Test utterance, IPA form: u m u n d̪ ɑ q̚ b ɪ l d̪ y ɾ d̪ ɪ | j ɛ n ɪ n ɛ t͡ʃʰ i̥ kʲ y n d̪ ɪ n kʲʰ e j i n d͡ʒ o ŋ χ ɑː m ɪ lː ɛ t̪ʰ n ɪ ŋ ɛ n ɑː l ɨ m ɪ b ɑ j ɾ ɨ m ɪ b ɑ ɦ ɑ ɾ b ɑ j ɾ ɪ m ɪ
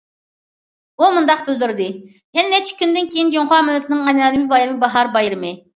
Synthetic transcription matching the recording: u m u n d̪ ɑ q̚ b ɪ l d̪ y ɾ d̪ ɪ | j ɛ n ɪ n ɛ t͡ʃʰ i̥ kʲ y n d̪ ɪ n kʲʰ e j i n d͡ʒ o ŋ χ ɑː m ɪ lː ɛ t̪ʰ n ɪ ŋ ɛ n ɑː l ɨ m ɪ b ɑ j ɾ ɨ m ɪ b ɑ ɦ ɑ ɾ b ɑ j ɾ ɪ m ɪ